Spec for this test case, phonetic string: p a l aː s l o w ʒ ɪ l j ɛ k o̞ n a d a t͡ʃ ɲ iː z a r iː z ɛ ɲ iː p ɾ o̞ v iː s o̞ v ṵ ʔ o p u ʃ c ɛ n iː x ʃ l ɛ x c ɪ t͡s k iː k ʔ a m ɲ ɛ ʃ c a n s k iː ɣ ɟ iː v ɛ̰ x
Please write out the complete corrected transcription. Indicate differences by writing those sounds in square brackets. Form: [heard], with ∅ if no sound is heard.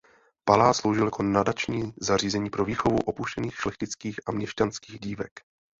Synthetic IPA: p a l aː s l o w ʒ ɪ l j [a] k o̞ n a d a t͡ʃ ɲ iː z a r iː z ɛ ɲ iː p ɾ o̞ v iː [x] o̞ v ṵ ʔ o p u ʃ c ɛ n iː x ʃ l ɛ x c ɪ t͡s k iː [x] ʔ a m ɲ ɛ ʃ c a n s k iː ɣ ɟ iː v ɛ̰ [k]